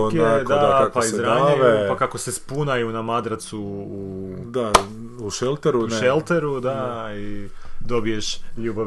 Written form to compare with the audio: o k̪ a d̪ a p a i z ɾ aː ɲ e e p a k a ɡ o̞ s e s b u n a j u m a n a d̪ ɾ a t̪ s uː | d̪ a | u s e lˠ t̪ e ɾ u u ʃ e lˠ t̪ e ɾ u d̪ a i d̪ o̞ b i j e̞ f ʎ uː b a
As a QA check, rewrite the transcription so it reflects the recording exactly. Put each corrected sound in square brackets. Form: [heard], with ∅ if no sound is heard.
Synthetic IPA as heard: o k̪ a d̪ a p a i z ɾ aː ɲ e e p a k a [k] o̞ s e s [p] u n a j u [n] a [m] a d̪ ɾ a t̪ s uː | d̪ a | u [ʃ] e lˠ t̪ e ɾ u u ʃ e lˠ t̪ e ɾ u d̪ a i d̪ o̞ b i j e̞ [ʃ] ʎ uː b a